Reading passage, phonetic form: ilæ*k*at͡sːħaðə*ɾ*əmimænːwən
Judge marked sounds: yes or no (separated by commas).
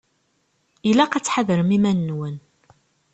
no, yes